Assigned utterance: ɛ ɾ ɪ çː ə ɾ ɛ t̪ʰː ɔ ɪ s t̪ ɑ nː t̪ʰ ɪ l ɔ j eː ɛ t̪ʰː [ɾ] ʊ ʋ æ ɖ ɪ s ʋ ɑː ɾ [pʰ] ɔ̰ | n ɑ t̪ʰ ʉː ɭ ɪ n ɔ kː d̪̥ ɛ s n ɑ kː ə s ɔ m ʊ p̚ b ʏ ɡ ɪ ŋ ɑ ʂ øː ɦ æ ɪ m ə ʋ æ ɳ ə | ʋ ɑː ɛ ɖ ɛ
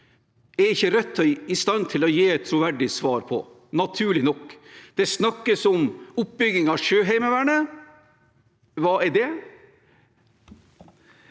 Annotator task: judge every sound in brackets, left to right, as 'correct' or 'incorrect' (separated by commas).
correct, correct